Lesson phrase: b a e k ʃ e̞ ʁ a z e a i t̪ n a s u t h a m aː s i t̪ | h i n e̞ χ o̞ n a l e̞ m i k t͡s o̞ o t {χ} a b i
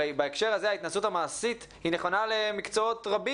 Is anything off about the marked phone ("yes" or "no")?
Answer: yes